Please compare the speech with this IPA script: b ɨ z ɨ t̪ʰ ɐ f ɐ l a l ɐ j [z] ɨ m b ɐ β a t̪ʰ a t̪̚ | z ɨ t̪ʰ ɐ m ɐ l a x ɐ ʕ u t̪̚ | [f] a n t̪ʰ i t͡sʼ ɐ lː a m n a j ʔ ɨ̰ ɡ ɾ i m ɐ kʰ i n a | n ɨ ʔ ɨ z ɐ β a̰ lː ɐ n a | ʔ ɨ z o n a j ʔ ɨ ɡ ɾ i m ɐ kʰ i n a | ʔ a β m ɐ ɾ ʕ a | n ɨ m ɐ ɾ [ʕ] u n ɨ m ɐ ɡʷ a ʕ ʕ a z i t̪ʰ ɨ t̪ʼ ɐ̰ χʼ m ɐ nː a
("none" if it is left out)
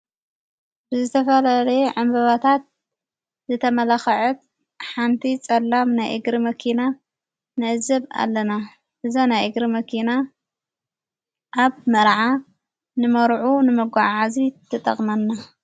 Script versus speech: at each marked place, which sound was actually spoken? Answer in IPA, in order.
ʕ, ħ, ʕ

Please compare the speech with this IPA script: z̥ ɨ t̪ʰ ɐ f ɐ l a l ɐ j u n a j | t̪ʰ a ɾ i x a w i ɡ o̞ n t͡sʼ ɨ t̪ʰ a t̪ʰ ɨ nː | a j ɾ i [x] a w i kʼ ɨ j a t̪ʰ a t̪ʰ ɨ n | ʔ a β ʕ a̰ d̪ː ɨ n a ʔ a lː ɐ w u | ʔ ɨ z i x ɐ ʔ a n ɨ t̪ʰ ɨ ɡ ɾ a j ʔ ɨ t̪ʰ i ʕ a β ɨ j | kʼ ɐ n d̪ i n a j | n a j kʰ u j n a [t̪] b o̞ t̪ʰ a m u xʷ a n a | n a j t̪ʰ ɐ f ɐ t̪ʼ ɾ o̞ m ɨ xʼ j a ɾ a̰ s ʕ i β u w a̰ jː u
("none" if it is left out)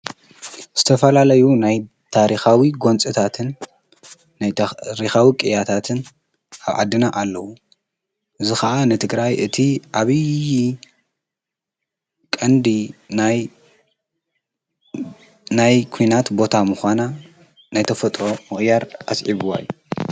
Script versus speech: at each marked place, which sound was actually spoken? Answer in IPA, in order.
x, t̪

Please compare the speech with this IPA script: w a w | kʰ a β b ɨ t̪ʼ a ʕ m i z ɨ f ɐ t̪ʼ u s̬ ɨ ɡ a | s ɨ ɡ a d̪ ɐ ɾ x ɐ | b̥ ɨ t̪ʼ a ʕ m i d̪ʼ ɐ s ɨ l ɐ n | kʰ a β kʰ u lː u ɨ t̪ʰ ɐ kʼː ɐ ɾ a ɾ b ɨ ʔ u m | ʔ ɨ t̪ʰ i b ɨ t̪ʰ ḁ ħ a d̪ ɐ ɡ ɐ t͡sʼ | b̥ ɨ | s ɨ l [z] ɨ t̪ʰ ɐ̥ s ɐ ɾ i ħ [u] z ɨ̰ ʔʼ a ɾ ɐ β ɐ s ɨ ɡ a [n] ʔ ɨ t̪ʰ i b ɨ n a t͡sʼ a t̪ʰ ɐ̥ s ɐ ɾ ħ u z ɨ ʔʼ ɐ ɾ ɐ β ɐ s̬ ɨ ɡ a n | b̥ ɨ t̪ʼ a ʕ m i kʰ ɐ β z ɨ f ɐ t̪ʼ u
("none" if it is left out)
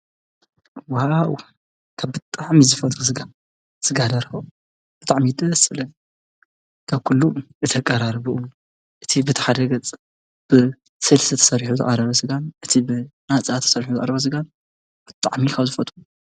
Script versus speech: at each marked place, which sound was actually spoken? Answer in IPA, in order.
s, u, n

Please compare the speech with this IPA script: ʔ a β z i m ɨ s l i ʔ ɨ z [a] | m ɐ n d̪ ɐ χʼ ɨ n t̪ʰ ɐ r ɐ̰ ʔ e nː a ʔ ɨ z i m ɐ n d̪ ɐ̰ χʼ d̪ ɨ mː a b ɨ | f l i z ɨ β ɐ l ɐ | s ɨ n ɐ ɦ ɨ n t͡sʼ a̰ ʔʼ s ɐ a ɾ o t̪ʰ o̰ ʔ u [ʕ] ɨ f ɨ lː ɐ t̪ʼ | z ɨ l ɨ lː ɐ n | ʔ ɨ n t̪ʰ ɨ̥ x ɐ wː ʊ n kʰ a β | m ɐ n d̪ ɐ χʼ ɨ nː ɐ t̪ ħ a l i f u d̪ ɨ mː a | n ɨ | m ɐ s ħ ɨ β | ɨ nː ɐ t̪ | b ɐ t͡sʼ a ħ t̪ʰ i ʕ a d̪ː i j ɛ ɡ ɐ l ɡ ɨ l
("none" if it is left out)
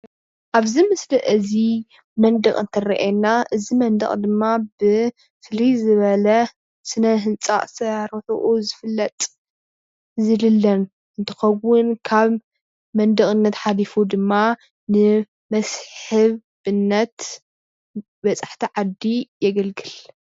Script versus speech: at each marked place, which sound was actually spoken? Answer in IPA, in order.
i, z

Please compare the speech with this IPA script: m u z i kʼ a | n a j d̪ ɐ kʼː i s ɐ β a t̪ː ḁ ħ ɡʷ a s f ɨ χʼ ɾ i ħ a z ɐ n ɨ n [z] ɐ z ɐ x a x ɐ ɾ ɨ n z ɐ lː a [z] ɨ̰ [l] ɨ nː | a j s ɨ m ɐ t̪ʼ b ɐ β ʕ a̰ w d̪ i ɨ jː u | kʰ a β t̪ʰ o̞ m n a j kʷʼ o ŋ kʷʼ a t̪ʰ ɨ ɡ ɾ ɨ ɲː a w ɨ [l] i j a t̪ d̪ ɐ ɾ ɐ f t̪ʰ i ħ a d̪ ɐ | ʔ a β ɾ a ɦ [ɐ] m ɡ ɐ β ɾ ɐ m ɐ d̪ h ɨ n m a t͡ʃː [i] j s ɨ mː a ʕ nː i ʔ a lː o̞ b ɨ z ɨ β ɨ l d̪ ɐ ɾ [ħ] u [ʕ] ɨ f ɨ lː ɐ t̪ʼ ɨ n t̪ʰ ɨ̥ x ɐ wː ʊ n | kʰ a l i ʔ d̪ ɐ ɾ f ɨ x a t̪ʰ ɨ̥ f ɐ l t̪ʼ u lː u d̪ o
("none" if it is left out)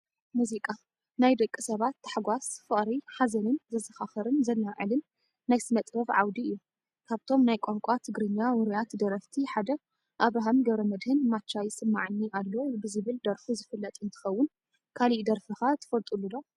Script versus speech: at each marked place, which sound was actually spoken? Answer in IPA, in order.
z, ʕ, l, ɾ, a, a, f, z

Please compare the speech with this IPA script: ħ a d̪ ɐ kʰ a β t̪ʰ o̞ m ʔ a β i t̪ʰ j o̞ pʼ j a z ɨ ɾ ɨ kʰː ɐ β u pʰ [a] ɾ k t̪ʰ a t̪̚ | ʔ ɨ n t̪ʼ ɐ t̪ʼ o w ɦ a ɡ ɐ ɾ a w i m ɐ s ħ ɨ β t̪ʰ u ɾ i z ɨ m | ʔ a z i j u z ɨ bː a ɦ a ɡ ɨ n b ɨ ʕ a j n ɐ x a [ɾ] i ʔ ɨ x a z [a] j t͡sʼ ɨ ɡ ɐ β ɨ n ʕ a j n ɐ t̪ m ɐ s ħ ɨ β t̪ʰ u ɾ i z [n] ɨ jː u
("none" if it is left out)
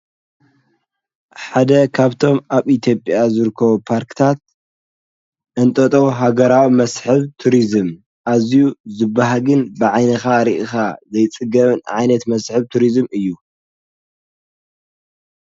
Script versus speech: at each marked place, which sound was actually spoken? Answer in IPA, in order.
a, ɾ, ɐ, m

